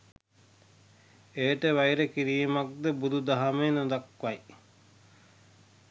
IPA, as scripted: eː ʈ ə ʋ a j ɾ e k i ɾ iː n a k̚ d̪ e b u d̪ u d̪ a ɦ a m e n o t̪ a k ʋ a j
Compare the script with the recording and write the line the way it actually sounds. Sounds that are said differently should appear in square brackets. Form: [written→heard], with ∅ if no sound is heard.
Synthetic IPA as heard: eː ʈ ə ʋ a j ɾ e k i ɾ iː [n→m] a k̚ d̪ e b u d̪ u d̪ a ɦ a m e n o [t̪→d̪] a k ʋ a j